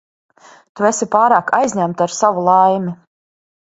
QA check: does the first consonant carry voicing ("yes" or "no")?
no